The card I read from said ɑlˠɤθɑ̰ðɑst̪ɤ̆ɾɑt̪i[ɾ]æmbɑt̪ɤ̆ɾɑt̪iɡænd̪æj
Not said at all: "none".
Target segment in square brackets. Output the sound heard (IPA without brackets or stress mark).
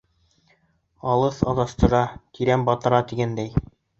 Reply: ɾ